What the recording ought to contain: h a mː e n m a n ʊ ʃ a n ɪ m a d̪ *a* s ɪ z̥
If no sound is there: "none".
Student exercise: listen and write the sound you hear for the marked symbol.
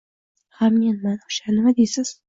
e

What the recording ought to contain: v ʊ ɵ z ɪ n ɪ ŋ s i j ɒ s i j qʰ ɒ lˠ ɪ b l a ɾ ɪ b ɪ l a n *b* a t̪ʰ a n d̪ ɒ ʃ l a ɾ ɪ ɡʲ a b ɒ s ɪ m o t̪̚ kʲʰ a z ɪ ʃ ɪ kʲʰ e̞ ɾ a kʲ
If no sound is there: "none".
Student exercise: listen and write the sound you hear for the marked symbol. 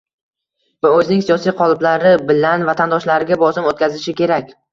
v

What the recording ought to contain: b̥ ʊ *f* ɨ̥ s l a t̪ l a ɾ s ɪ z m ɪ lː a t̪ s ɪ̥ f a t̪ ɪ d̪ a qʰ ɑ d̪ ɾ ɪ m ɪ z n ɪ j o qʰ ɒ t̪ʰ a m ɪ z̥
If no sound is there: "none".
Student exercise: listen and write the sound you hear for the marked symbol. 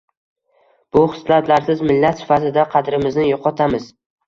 χ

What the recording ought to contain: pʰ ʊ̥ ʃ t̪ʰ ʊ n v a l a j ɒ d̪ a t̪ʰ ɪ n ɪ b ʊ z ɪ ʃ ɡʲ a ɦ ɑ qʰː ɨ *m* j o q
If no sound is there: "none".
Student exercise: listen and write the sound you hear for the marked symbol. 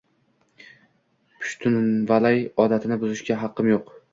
m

